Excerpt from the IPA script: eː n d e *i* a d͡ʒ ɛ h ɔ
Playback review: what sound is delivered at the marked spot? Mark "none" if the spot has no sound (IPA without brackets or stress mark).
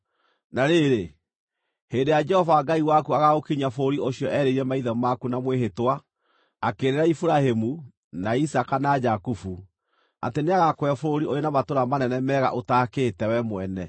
j